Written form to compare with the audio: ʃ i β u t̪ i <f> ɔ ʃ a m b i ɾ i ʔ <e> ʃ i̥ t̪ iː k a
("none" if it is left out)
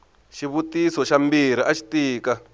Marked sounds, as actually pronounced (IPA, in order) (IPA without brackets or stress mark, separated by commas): s, a